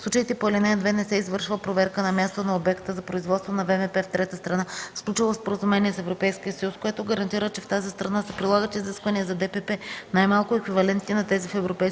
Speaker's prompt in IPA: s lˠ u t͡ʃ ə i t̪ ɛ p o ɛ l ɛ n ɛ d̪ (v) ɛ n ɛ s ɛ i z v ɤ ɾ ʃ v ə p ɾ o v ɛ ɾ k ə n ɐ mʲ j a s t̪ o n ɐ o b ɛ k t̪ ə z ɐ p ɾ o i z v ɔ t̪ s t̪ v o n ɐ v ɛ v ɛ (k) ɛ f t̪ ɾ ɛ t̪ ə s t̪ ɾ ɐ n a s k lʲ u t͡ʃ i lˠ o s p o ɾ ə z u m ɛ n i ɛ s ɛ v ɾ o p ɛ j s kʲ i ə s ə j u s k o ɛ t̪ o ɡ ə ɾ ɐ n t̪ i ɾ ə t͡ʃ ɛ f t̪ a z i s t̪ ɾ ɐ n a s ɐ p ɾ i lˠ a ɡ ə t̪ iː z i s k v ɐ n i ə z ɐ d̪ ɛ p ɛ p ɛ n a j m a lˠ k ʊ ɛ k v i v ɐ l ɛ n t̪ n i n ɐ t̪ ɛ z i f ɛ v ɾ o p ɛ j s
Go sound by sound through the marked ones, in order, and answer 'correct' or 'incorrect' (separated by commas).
correct, incorrect